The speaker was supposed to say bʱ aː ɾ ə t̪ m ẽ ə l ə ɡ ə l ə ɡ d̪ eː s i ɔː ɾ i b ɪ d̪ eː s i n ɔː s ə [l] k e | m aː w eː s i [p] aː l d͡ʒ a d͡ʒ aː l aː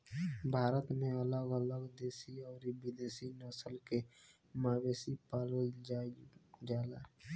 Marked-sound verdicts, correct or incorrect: correct, correct

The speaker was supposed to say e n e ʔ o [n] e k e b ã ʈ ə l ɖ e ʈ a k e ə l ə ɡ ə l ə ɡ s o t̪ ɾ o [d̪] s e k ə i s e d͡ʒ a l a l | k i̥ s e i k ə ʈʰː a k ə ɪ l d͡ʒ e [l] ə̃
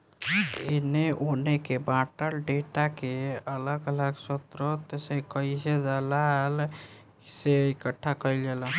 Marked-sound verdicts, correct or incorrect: correct, incorrect, correct

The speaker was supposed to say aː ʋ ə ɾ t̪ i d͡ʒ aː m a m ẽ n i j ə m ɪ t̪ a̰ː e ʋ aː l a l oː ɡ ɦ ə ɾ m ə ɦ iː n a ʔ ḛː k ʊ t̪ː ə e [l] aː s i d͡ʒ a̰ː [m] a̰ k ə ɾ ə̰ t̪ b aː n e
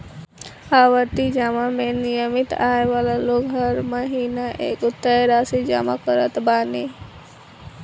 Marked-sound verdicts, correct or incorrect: incorrect, correct

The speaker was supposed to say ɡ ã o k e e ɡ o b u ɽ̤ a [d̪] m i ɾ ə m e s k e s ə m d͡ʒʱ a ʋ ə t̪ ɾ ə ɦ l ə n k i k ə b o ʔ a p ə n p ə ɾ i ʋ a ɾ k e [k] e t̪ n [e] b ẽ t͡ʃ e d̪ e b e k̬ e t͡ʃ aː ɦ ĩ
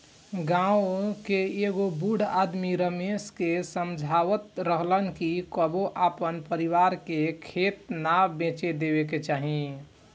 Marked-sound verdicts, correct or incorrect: correct, incorrect, incorrect

